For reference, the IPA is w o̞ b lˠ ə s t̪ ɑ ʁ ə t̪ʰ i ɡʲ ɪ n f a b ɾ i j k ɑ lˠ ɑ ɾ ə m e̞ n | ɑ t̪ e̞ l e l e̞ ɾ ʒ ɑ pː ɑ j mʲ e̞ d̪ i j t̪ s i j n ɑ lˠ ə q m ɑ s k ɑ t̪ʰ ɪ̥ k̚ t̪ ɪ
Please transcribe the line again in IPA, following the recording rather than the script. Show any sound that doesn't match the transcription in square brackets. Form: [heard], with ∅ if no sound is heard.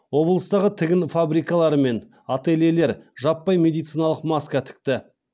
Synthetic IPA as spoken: w o̞ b lˠ ə s t̪ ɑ ʁ ə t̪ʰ [ɪ] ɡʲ ɪ n f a b ɾ i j k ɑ lˠ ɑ ɾ ə m e̞ n | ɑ t̪ e̞ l e l e̞ ɾ ʒ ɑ pː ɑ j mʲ e̞ d̪ i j t̪ s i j n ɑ lˠ ə q m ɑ s k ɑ t̪ʰ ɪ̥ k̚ t̪ ɪ

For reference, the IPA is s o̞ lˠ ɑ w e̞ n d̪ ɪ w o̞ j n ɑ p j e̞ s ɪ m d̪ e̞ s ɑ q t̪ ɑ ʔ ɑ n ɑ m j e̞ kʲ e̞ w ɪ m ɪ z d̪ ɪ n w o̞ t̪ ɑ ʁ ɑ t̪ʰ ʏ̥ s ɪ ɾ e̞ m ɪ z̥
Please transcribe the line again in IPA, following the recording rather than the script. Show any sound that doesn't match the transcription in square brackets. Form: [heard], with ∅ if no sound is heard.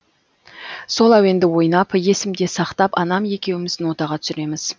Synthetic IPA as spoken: s o̞ lˠ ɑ w e̞ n d̪ ɪ w o̞ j n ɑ p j e̞ s ɪ m d̪ e̞ s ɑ q t̪ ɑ [p] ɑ n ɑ m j e̞ kʲ e̞ w ɪ m ɪ z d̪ ɪ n w o̞ t̪ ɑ ʁ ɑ t̪ʰ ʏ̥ s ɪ ɾ e̞ m ɪ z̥

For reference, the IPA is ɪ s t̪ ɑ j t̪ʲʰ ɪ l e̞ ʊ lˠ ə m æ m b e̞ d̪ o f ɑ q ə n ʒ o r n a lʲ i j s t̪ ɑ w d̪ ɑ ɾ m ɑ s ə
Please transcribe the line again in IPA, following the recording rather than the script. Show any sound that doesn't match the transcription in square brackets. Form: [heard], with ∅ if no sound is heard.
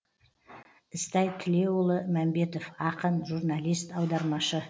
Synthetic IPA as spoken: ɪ s t̪ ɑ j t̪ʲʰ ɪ l e̞ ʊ lˠ ə m æ m b e̞ [t̪] o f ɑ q ə n ʒ [u] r n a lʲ i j s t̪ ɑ w d̪ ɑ ɾ m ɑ [ʃ] ə

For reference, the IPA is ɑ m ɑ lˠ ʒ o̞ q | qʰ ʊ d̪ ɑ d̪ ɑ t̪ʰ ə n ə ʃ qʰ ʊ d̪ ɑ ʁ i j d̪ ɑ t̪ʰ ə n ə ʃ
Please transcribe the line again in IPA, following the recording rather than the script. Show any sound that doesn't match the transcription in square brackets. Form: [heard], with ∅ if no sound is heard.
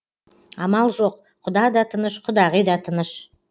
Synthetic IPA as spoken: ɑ m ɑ lˠ ʒ o̞ q | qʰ ʊ d̪ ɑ d̪ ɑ t̪ʰ ə n ə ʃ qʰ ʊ d̪ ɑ ʁ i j d̪ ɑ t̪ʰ ə n ə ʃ

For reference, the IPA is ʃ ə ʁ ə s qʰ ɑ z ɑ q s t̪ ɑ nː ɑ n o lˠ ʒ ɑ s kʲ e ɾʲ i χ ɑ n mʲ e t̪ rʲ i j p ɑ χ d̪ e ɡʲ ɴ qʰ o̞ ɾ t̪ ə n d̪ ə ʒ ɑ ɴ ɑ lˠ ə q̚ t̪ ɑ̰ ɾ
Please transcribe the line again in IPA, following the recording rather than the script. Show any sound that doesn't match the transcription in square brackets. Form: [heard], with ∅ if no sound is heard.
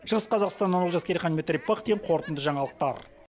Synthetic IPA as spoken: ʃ ə ʁ ə s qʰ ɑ z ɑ q s t̪ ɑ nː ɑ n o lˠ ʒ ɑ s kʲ e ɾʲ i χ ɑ n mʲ e t̪ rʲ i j p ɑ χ d̪ e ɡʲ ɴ qʰ o̞ ɾ t̪ ə n d̪ ə ʒ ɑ ɴ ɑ lˠ ə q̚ t̪ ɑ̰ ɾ

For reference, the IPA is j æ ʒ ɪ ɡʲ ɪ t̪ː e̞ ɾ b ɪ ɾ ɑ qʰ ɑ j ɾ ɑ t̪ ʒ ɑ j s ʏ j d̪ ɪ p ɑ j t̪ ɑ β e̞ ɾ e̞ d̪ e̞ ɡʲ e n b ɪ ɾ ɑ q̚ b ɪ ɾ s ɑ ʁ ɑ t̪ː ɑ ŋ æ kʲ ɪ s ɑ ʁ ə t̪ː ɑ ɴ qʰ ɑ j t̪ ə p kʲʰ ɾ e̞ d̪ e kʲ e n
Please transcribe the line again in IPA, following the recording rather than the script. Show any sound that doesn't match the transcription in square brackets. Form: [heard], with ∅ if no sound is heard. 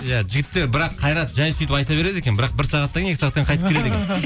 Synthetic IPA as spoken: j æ ʒ ɪ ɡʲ ɪ t̪ː e̞ ɾ b ɪ ɾ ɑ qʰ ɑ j ɾ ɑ t̪ ʒ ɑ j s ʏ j [t̪] ɪ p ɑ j t̪ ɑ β e̞ ɾ e̞ d̪ e̞ [kʲ] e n b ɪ ɾ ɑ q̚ b ɪ ɾ s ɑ ʁ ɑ t̪ː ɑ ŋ [e] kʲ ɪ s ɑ ʁ [ɑ] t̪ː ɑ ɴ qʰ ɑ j t̪ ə p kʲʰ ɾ e̞ d̪ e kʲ e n

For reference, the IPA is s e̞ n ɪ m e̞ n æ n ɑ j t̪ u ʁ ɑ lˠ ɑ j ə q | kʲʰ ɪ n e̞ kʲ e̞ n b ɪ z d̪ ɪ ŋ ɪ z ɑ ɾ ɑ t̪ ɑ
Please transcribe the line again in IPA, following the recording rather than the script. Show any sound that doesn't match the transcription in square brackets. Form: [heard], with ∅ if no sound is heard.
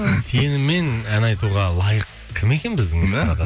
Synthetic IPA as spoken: s e̞ n ɪ m e̞ n æ n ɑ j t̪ u ʁ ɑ lˠ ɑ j ə q | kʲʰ ɪ [m] e̞ kʲ e̞ n b ɪ z d̪ ɪ ŋ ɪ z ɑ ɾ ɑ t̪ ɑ

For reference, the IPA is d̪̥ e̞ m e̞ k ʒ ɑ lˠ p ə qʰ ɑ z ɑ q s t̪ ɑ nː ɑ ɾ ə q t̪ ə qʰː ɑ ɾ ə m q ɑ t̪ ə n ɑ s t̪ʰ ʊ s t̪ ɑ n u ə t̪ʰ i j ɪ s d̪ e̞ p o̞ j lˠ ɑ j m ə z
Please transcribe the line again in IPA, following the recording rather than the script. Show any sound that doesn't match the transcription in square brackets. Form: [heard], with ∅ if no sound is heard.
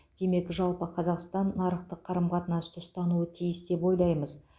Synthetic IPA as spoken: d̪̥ e̞ m e̞ k ʒ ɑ lˠ p ə qʰ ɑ z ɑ q s t̪ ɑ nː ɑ ɾ ə q t̪ ə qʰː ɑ ɾ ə m q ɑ t̪ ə n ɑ s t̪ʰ ʊ s t̪ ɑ n u ə t̪ʰ i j ɪ s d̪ e̞ p o̞ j lˠ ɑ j m ə z

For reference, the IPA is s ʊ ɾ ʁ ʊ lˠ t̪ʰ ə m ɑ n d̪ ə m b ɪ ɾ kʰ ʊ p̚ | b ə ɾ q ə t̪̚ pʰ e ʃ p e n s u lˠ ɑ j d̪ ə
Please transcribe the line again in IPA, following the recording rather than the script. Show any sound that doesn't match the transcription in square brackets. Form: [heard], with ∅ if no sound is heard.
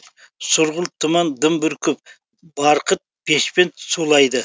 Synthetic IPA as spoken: s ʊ ɾ ʁ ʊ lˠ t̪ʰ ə m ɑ n d̪ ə m b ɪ ɾ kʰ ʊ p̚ | b [ɑ] ɾ q ə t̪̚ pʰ e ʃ p e n s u lˠ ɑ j d̪ ə

